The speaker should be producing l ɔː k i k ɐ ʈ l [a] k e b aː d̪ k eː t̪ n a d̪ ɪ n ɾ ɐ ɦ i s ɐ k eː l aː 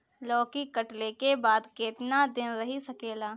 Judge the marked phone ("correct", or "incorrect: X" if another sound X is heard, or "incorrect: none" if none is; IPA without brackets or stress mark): incorrect: e